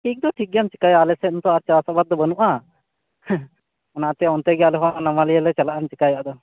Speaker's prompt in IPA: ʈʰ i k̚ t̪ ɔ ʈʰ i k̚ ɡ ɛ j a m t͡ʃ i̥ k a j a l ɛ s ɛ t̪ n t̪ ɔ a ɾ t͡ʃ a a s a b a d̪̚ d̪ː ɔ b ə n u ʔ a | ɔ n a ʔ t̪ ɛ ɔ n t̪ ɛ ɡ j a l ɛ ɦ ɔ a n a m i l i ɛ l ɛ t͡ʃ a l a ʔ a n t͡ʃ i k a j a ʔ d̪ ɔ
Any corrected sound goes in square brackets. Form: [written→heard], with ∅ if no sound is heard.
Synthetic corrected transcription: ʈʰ i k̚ [t̪→d̪] ɔ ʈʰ i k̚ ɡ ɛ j a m t͡ʃ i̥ k a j a l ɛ s ɛ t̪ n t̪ ɔ a ɾ t͡ʃ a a s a b a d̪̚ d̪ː ɔ b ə n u ʔ a | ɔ n a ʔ t̪ ɛ ɔ n t̪ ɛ ɡ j a l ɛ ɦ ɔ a n a m [i→a] l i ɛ l ɛ t͡ʃ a l a ʔ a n t͡ʃ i k a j a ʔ d̪ ɔ